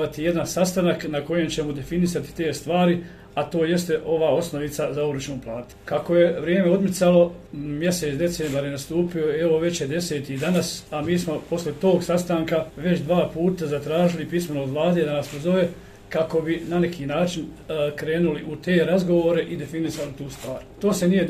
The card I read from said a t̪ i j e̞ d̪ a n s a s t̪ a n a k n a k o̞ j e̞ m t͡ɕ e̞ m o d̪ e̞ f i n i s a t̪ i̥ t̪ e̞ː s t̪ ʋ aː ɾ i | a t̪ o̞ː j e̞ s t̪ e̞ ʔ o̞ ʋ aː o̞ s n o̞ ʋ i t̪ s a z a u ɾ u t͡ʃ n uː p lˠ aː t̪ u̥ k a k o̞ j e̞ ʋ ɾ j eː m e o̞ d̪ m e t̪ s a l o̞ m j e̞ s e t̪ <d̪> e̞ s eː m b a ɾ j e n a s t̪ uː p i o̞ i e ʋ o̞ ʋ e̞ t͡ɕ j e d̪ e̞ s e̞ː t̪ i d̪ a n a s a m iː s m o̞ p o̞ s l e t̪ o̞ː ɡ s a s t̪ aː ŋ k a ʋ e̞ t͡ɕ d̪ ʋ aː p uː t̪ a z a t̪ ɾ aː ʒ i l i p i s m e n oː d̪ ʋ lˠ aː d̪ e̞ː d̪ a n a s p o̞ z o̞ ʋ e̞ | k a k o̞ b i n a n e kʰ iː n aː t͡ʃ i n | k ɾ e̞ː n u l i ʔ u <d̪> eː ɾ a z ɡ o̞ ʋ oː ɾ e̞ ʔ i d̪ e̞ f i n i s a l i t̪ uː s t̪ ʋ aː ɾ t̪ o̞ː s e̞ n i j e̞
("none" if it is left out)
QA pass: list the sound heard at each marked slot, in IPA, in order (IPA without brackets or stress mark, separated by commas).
d̪, t̪